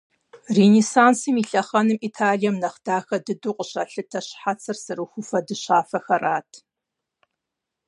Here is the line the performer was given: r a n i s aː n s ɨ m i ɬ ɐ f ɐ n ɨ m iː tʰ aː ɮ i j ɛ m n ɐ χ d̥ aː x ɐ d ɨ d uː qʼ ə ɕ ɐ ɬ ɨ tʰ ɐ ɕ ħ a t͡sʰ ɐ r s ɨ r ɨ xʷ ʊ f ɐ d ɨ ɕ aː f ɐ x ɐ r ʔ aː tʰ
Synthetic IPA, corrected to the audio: r e n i s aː n s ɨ m i ɬ ɐ χ ɐ n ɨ m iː tʰ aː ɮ i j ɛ m n ɐ χ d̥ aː x ɐ d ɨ d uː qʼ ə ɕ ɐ ɬ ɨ tʰ ɐ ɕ ħ a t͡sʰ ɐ r s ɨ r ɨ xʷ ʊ f ɐ d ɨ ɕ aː f ɐ x ɐ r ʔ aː tʰ